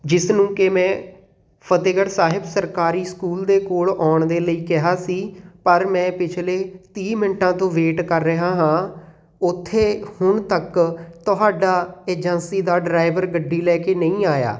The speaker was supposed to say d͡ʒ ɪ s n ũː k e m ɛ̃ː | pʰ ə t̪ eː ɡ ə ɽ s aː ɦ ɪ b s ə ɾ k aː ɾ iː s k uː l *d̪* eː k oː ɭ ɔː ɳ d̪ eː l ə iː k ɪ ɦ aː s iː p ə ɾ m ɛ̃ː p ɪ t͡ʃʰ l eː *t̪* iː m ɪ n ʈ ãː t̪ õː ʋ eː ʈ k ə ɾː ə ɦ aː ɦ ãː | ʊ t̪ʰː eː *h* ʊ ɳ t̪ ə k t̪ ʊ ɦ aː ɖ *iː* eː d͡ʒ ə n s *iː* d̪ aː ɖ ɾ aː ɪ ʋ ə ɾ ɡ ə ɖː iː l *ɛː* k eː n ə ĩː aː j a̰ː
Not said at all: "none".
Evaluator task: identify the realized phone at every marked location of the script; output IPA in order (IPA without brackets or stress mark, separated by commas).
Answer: d̪, t̪, h, aː, iː, ɛː